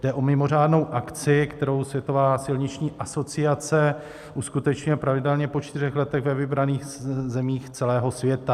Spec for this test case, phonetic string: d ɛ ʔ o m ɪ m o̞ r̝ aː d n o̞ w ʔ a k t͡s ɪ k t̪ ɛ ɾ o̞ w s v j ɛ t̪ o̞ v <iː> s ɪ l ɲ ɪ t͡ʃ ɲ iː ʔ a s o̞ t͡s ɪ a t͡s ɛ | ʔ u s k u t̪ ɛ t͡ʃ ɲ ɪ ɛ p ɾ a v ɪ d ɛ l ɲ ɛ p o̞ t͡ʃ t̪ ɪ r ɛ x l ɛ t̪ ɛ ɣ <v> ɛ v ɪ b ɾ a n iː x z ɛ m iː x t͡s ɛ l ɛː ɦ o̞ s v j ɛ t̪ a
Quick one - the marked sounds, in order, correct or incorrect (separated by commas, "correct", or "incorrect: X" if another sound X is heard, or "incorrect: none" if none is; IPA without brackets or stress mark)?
incorrect: aː, correct